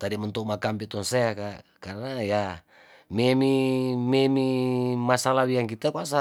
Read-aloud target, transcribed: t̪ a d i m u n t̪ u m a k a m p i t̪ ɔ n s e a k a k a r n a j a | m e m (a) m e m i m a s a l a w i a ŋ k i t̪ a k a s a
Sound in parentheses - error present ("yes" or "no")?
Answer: yes